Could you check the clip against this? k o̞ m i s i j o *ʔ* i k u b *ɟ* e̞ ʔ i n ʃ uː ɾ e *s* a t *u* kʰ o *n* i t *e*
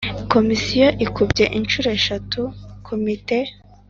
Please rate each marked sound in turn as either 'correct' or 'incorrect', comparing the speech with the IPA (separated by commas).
correct, correct, incorrect, correct, incorrect, correct